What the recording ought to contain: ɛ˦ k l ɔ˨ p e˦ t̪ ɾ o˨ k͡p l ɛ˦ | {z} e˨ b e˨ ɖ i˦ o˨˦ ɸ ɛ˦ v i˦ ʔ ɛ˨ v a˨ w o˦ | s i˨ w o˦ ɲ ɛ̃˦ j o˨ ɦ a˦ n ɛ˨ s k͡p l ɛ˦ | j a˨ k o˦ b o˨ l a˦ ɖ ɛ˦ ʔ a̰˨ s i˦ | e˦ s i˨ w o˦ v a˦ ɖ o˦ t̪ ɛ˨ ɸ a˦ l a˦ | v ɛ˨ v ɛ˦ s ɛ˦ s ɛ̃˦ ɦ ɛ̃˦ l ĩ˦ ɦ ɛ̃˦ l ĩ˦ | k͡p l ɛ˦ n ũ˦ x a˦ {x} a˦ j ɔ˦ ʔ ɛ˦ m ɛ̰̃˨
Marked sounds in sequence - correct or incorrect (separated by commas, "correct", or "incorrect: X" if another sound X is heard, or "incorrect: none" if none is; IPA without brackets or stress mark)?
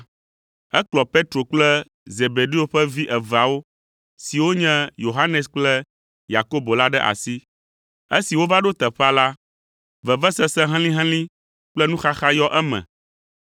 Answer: correct, correct